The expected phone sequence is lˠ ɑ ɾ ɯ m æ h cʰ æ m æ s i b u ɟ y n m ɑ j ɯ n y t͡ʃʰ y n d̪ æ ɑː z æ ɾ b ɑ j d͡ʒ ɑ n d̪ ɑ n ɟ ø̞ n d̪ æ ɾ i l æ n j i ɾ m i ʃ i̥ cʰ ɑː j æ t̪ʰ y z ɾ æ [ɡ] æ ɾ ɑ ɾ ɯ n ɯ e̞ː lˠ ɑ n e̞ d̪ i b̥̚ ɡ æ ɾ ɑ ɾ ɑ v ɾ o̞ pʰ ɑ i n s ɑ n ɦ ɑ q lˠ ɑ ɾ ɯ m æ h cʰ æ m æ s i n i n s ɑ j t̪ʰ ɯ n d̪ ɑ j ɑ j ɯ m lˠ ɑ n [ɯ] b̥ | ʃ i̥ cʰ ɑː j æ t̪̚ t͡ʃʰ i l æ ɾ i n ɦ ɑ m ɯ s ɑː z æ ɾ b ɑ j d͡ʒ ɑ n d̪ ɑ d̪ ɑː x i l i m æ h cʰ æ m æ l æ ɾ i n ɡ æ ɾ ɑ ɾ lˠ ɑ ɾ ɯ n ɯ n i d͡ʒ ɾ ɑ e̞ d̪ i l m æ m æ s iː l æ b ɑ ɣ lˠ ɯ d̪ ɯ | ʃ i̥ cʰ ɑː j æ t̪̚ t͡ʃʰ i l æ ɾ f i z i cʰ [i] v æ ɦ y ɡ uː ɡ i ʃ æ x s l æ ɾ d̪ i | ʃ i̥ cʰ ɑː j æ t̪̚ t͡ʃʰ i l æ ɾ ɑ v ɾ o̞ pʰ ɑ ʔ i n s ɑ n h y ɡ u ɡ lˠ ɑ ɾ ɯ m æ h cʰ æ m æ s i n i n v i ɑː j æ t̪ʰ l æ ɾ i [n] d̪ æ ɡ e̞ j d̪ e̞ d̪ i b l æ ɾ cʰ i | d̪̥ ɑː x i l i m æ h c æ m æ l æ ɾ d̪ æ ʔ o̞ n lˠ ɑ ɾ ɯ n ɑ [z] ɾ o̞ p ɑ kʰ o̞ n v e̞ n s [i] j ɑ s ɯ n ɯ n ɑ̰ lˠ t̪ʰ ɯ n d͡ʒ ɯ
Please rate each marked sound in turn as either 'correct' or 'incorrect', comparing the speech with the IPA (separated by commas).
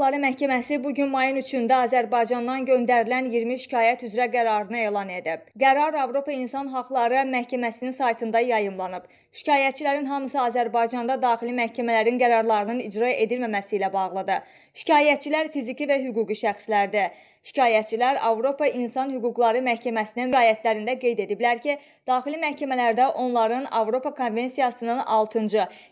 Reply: correct, correct, correct, correct, incorrect, correct